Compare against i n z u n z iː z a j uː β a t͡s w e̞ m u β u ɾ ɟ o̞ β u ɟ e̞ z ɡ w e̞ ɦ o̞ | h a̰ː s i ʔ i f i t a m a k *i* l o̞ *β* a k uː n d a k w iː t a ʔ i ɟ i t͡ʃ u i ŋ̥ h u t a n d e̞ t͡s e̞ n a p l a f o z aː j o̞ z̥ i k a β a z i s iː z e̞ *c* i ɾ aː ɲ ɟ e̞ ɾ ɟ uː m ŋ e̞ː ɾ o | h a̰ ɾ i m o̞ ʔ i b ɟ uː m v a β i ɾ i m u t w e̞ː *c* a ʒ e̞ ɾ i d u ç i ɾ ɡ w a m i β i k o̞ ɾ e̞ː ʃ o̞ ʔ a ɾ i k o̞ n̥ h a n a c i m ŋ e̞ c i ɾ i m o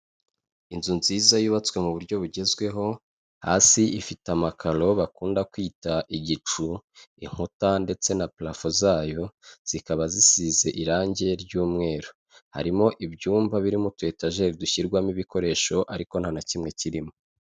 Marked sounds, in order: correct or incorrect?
incorrect, correct, incorrect, incorrect

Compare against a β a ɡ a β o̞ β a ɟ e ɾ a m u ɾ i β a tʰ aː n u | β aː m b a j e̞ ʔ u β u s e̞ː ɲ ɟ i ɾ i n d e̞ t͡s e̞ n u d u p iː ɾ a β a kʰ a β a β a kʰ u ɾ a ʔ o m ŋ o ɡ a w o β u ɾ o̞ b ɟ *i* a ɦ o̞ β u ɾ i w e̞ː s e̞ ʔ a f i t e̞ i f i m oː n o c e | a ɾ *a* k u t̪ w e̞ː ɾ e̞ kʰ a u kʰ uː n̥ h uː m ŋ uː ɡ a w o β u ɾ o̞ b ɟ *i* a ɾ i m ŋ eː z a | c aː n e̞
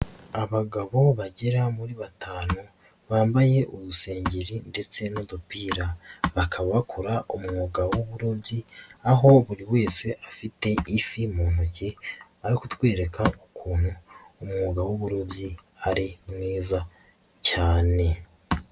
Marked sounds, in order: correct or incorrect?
correct, incorrect, correct

